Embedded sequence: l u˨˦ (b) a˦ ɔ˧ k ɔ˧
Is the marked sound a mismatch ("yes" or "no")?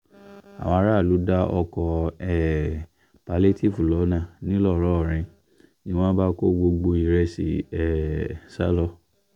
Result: yes